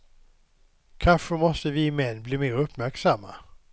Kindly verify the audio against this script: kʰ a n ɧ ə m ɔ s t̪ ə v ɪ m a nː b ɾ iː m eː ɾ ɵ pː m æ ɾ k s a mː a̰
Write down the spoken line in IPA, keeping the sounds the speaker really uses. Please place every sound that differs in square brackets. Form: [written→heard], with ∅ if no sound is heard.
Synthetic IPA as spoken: kʰ a n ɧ ə m ɔ s t̪ ə v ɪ m [a→ɛ] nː b [ɾ→l] iː m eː ɾ ɵ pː m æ ɾ k s a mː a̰